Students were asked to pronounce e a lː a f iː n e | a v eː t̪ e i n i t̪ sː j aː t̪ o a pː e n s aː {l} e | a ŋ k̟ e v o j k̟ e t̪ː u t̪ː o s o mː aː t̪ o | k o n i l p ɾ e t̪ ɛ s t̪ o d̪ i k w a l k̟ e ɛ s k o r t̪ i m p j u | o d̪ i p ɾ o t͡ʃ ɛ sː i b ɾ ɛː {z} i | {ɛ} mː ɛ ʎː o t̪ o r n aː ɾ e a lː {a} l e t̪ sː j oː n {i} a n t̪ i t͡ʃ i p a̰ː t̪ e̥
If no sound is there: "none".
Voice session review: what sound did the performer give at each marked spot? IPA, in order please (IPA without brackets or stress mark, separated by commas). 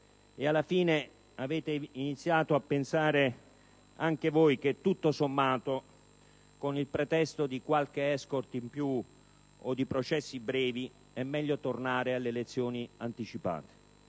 ɾ, v, ɛ, e, i